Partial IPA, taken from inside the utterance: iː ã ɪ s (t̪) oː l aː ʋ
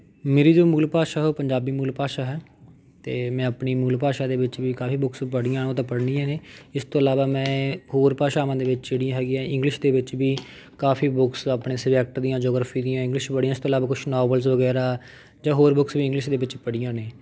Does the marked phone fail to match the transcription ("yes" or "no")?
no